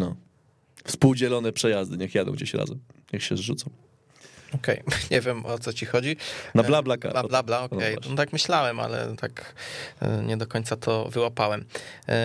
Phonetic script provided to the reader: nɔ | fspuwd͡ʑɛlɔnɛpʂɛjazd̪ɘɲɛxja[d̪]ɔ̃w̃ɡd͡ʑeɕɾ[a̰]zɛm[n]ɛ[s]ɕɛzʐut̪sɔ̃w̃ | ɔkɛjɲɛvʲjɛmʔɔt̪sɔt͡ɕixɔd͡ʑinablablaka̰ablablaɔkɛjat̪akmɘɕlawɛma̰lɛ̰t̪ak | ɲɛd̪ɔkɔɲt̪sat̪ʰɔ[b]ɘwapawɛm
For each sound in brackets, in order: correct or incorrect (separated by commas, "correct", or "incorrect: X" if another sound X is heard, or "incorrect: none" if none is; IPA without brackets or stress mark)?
correct, correct, incorrect: ɲ, incorrect: x, incorrect: v